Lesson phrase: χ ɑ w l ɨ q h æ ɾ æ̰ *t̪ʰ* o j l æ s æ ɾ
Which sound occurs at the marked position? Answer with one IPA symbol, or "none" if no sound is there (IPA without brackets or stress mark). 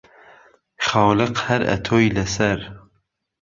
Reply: t̪ʰ